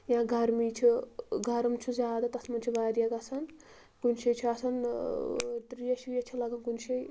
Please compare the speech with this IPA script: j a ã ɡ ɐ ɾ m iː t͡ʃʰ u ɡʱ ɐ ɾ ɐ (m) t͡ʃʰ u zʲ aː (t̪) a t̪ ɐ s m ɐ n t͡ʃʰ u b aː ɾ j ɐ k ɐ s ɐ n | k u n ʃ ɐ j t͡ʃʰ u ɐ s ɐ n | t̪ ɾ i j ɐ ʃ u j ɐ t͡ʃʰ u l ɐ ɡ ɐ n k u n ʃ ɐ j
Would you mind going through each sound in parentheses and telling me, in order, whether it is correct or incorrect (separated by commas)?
correct, incorrect